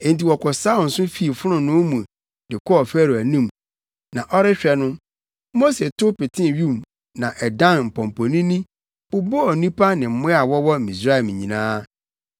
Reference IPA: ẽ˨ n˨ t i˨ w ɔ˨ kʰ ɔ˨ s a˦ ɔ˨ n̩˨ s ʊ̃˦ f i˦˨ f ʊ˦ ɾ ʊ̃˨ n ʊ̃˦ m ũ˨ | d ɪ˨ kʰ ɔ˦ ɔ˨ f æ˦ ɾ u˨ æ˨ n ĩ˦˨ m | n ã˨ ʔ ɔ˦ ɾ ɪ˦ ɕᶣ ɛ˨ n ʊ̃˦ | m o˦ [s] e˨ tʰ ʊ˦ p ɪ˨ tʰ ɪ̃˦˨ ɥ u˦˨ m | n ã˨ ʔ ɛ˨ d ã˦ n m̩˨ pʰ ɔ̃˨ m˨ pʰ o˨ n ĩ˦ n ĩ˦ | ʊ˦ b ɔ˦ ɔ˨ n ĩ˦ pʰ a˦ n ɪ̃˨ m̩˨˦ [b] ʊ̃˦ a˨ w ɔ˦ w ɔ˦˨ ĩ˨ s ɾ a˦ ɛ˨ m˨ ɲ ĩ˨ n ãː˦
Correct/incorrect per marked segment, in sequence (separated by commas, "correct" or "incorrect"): correct, incorrect